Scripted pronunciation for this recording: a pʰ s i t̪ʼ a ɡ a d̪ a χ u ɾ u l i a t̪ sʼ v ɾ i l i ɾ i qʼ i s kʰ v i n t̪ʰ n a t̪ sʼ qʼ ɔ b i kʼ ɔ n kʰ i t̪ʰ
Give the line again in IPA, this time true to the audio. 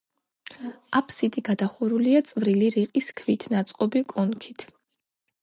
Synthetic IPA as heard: a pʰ s i t̪ʼ i ɡ a d̪ a χ u ɾ u l i a t̪ sʼ v ɾ i l i ɾ i qʼ i s kʰ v i t̪ʰ n a t̪ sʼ qʼ ɔ b i kʼ ɔ n kʰ i t̪ʰ